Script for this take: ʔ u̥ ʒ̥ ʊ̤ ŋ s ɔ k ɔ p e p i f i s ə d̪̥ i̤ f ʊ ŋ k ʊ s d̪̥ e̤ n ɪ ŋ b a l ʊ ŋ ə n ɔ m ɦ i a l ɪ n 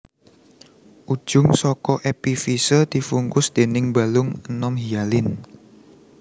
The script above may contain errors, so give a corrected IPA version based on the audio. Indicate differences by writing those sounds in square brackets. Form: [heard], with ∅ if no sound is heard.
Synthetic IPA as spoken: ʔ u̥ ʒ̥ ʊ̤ ŋ s ɔ k ɔ [ʔ] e p i f i s ə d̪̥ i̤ f [u] ŋ k ʊ s d̪̥ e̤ n ɪ ŋ b a l ʊ ŋ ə n ɔ m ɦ i a l ɪ n